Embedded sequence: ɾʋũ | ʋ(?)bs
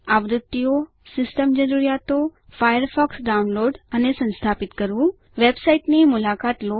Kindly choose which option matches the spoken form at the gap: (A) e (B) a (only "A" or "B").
A